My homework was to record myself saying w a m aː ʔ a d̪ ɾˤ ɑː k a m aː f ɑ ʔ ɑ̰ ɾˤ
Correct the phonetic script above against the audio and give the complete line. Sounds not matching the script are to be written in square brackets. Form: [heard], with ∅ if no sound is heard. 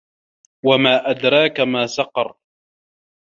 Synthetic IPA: w a m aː ʔ a d̪ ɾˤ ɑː k a m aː [s] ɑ [q] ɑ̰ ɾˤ

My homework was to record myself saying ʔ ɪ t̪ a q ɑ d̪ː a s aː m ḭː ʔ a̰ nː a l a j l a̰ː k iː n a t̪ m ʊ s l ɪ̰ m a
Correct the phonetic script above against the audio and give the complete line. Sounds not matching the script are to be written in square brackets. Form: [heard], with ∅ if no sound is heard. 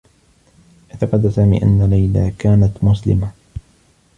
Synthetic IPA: ʔ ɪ t̪ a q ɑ [d̪] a s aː m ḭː ʔ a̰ nː a l a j l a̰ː k [aː] n a t̪ m ʊ s l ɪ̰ m a

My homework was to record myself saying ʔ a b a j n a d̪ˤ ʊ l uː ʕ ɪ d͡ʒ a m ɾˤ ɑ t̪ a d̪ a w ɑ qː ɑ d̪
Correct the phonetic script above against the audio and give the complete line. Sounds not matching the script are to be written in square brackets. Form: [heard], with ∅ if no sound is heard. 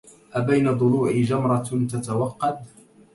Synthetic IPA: ʔ a b a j n a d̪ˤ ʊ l uː ʕ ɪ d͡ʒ a m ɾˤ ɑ t̪ a [t̪] a w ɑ qː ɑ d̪

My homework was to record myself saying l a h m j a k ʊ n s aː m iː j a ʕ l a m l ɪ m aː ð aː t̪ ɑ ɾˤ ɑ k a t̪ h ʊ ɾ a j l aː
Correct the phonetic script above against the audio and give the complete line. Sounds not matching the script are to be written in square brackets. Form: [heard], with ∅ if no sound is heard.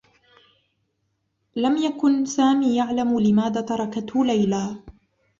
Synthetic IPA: l a [∅] m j a k ʊ n s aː m iː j a ʕ l a m l ɪ m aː ð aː t̪ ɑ ɾˤ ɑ k a t̪ h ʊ [l] a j l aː

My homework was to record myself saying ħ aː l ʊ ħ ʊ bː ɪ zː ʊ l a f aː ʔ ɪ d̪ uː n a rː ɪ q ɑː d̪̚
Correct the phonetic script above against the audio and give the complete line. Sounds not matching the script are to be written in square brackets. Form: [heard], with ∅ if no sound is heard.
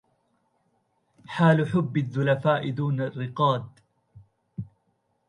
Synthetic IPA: ħ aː l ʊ ħ ʊ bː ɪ [ðː] ʊ l a f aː ʔ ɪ d̪ uː n a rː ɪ q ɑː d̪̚

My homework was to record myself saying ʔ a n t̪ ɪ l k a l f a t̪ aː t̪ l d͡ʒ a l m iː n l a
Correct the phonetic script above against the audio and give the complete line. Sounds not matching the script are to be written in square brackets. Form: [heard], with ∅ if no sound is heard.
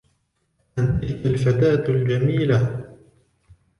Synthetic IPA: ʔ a n t̪ ɪ l k a l f a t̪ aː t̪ l d͡ʒ a [∅] m iː [∅] l a

